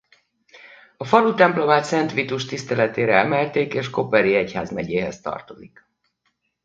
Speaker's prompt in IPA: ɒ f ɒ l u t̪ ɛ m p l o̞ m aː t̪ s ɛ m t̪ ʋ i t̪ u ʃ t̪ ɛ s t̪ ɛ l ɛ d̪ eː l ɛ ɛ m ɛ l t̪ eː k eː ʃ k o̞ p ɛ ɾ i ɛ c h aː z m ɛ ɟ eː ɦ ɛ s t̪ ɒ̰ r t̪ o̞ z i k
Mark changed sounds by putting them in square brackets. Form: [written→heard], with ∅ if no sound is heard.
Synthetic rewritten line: ɒ f ɒ l u t̪ ɛ m p l o̞ m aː t̪ s ɛ [m→n] t̪ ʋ i t̪ u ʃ t̪ [ɛ→i] s t̪ ɛ l ɛ [d̪→t̪] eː [l→ɾ] ɛ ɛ m ɛ l t̪ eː k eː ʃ k o̞ p ɛ ɾ i ɛ c h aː z m ɛ ɟ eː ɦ ɛ s t̪ ɒ̰ r t̪ o̞ z i k

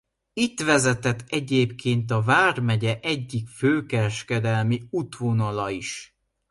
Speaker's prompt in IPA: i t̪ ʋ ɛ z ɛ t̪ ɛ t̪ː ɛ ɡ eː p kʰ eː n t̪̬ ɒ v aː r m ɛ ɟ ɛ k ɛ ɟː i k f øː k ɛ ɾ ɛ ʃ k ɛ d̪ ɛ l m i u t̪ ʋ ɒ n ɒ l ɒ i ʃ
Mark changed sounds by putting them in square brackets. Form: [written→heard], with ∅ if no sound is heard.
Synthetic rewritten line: i t̪ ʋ ɛ z ɛ t̪ ɛ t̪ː ɛ [ɡ→ɟ] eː p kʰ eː n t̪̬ ɒ v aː r m ɛ ɟ ɛ [k→ʔ] ɛ ɟː i k f øː k ɛ ɾ ɛ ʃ k ɛ d̪ ɛ l m i u t̪ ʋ [ɒ→o] n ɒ l ɒ i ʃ

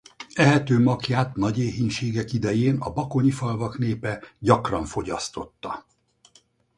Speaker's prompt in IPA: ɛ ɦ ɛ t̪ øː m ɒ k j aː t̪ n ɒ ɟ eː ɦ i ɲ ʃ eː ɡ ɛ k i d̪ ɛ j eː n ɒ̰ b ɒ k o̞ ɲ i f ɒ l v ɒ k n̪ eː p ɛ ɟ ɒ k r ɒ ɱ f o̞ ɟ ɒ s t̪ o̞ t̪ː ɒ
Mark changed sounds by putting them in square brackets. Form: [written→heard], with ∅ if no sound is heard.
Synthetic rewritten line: ɛ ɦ ɛ t̪ øː m ɒ k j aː t̪ n ɒ ɟ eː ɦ i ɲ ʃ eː ɡ ɛ k i d̪ ɛ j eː n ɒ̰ b ɒ k o̞ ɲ i f ɒ l v ɒ k n̪ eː p ɛ ɟ ɒ k r ɒ ɱ f o̞ ɟ ɒ s t̪ o̞ t̪ː ɒ

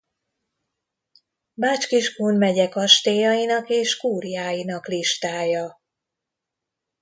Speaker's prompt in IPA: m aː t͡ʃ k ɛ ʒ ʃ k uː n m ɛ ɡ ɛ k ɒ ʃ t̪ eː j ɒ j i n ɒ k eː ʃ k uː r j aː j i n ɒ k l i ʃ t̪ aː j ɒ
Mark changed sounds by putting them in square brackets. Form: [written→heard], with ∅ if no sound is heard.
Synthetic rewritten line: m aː t͡ʃ k [ɛ→i] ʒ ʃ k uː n m ɛ [ɡ→ɟ] ɛ k ɒ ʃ t̪ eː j ɒ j i n ɒ k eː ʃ k uː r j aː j i n ɒ k l i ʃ t̪ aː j ɒ

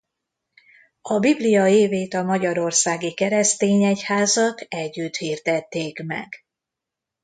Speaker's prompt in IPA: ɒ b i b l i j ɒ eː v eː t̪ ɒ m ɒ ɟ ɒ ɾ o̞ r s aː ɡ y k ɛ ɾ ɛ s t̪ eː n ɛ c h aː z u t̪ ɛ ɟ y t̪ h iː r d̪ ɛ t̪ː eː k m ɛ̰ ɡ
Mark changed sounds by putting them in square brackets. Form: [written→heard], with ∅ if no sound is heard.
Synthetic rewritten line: ɒ b i b l i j ɒ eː v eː t̪ ɒ m ɒ ɟ ɒ ɾ o̞ r s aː ɡ [y→i] k ɛ ɾ ɛ s t̪ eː [n→ɲ] ɛ c h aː z [u→ɒ] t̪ ɛ [ɟ→ɟː] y t̪ h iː r d̪ ɛ t̪ː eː k m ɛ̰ ɡ

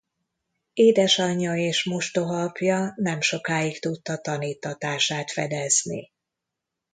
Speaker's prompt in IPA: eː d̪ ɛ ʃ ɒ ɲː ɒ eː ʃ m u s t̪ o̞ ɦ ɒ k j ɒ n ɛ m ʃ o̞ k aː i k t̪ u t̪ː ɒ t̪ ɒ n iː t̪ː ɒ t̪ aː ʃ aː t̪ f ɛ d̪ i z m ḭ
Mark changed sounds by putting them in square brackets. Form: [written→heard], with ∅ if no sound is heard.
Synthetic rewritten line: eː d̪ ɛ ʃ ɒ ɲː ɒ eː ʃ m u [s→ʃ] t̪ o̞ ɦ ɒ [k→p] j ɒ n ɛ m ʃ o̞ k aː i k t̪ u t̪ː ɒ t̪ ɒ n iː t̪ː ɒ t̪ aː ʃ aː t̪ f ɛ d̪ [i→ɛ] z [m→n] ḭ

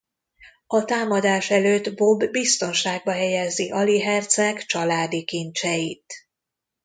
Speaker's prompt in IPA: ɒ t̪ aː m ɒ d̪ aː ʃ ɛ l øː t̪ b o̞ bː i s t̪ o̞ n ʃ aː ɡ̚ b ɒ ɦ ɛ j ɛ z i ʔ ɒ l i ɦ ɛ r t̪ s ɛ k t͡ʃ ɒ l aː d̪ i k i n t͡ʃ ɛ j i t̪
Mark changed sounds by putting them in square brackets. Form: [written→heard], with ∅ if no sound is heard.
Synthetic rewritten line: ɒ t̪ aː m ɒ d̪ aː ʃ ɛ l øː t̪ b o̞ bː i s t̪ o̞ n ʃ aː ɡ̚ b ɒ ɦ ɛ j ɛ z i ʔ ɒ l i ɦ ɛ r t̪ s ɛ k t͡ʃ ɒ l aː d̪ i k i n t͡ʃ ɛ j i t̪

